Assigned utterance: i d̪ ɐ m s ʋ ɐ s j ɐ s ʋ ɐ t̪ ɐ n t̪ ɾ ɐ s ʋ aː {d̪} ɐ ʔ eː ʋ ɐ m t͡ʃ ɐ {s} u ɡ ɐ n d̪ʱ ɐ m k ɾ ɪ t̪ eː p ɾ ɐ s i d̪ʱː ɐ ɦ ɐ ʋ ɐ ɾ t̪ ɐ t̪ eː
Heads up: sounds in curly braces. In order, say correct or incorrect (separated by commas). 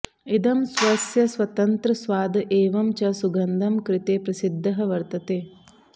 correct, correct